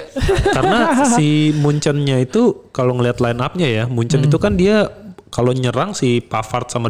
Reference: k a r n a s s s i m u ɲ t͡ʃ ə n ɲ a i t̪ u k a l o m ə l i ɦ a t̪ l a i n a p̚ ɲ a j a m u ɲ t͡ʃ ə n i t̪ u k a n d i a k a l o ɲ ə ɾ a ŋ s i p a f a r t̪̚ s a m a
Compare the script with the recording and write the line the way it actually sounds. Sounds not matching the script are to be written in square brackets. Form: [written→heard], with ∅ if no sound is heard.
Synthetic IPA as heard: k a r n a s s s i m u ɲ t͡ʃ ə n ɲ a i t̪ u k a l o [m→ŋ] ə l i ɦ a t̪ l a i n a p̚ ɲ a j a m u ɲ t͡ʃ ə n i t̪ u k a n d i a k a l o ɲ ə ɾ a ŋ s i p a f a r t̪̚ s a m a